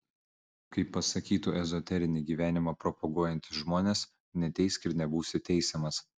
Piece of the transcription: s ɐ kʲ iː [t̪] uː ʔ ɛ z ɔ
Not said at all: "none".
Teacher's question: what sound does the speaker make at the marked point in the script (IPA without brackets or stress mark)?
t̪